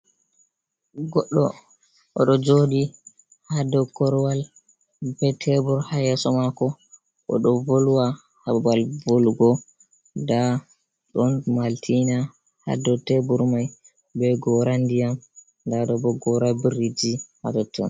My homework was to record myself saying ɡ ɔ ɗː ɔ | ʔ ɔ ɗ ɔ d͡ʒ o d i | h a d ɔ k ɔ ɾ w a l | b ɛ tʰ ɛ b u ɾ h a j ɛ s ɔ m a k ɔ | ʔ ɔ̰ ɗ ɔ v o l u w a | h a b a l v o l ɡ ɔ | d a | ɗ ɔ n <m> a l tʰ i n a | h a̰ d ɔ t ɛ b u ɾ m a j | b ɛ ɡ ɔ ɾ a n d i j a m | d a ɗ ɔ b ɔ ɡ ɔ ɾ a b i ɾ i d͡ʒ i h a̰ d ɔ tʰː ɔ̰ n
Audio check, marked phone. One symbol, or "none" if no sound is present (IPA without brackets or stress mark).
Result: m